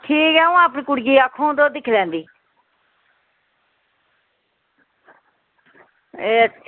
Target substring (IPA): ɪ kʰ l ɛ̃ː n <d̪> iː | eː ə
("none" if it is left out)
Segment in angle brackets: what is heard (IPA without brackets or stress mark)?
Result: d̪